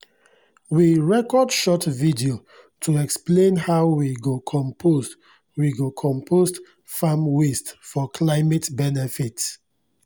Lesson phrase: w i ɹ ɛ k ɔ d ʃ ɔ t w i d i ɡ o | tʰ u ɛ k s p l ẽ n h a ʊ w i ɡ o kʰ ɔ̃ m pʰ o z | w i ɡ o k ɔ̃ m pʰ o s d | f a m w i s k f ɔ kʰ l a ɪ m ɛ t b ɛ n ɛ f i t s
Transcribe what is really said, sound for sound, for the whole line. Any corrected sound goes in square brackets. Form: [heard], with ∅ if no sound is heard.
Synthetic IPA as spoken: w i ɹ ɛ k ɔ d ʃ ɔ t [v] i d i [∅] o | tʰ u ɛ k s p l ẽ n h a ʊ w i ɡ o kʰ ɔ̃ m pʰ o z | w i ɡ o [kʰ] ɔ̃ m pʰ o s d | f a m w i s [t] f ɔ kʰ l a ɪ m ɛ t b ɛ n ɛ f i t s